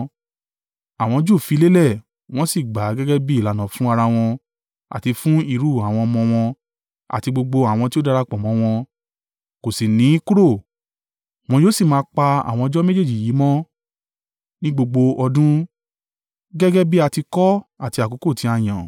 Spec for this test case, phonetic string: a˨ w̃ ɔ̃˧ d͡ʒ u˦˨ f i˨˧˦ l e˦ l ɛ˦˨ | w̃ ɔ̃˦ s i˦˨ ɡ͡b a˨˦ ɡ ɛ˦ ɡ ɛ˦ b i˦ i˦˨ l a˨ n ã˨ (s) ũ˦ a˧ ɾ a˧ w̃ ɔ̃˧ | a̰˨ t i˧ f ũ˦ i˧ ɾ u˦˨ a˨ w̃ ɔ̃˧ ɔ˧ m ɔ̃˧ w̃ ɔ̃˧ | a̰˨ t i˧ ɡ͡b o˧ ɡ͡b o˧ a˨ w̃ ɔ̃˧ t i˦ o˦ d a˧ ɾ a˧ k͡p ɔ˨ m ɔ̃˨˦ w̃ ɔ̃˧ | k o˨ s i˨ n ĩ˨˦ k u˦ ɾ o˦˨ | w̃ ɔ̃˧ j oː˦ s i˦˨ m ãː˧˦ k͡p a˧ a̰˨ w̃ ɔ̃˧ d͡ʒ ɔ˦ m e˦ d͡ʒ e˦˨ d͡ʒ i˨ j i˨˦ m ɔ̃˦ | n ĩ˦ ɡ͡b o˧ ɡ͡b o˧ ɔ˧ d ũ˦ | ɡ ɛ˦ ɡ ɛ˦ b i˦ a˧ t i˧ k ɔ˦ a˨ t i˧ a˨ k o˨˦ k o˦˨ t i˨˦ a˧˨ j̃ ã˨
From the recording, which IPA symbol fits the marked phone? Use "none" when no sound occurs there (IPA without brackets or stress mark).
f